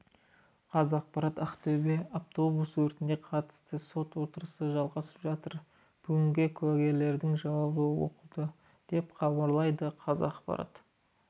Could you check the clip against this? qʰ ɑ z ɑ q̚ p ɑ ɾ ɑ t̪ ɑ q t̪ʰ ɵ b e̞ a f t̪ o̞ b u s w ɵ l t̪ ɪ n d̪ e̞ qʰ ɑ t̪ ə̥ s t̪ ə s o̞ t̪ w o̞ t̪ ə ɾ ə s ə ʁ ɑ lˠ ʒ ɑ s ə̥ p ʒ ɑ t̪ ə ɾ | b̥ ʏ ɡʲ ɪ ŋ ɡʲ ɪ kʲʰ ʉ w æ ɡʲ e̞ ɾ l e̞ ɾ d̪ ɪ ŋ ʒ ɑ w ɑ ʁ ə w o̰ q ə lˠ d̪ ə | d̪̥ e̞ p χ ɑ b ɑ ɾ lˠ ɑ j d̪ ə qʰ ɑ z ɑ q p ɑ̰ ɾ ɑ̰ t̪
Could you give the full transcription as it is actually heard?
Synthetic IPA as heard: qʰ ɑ z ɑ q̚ p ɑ ɾ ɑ t̪ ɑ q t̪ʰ ɵ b e̞ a f t̪ o̞ b u s w ɵ ɾ t̪ ɪ n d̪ e̞ qʰ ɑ t̪ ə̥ s t̪ ə s o̞ t̪ w o̞ t̪ ə ɾ ə s ə ʒ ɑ lˠ ʁ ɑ s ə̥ p ʒ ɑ t̪ ə ɾ | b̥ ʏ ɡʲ ɪ ŋ ɡʲ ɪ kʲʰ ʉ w æ ɡʲ e̞ ɾ l e̞ ɾ d̪ ɪ ŋ ʒ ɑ w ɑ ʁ ə w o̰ q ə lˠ d̪ ə | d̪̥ e̞ p χ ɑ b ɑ ɾ lˠ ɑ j d̪ ə qʰ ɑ z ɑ q p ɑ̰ ɾ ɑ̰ t̪

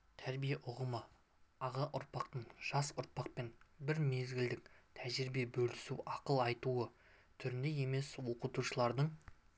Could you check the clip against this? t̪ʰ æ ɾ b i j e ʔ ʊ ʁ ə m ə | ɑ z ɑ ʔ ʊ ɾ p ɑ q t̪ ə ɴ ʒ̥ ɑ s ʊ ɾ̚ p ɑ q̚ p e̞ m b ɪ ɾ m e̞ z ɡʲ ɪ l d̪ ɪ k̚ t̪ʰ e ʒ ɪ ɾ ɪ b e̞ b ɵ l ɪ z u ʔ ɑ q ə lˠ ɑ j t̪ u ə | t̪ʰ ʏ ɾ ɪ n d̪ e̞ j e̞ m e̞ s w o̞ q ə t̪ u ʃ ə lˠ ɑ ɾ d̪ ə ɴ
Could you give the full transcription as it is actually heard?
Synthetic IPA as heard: t̪ʰ æ ɾ b i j e ʔ ʊ ʁ ə m ə | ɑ ʁ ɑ ʔ ʊ ɾ p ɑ q t̪ ə ɴ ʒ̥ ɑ s ʊ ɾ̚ p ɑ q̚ p e̞ n b ɪ ɾ m e̞ z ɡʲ ɪ l d̪ ɪ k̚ t̪ʰ æ ʒ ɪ ɾ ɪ b e̞ b ɵ l ɪ s u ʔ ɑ q ə lˠ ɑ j t̪ u ə | t̪ʰ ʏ ɾ ɪ n d̪ e̞ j e̞ m e̞ s w o̞ q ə t̪ u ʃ ə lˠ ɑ ɾ d̪ ə ɴ

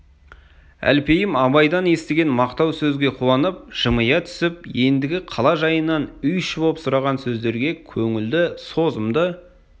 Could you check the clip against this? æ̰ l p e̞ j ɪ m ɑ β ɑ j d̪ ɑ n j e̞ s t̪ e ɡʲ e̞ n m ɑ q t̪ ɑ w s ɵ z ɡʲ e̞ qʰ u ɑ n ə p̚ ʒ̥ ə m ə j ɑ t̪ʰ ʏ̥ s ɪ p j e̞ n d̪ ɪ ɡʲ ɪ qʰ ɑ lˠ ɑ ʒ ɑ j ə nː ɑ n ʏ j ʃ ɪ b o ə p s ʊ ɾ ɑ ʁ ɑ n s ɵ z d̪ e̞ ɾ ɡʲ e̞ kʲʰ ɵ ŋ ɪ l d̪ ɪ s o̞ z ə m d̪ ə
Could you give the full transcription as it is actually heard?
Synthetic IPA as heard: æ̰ l p e̞ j ɪ m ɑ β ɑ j d̪ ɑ n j e̞ s t̪ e ɡʲ e̞ n m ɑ q t̪ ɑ w s ɵ z ɡʲ e̞ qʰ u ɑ n ə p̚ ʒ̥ ə m ə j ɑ t̪ʰ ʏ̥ s ɪ p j e̞ n d̪ ɪ ɡʲ ɪ qʰ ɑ lˠ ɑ ʒ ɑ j ə nː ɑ n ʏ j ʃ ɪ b o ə p s ʊ ɾ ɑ ʁ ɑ n s ɵ z d̪ e̞ ɾ ɡʲ e̞ kʲʰ ɵ ŋ ɪ l d̪ ɪ s o̞ z ə m d̪ ə

